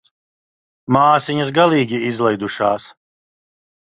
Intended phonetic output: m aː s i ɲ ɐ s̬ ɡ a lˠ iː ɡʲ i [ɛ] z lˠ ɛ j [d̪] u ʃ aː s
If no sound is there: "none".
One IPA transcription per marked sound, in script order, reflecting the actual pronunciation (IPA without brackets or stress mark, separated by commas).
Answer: i, d̪